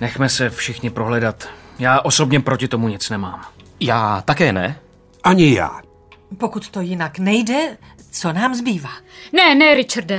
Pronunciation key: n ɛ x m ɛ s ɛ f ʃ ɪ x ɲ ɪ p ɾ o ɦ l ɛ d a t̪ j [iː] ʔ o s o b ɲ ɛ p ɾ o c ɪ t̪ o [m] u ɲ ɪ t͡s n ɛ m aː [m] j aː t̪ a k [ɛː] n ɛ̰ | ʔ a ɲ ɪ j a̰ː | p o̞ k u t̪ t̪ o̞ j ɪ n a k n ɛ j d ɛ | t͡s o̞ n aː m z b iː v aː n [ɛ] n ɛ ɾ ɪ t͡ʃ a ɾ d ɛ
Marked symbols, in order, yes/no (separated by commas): no, yes, yes, yes, yes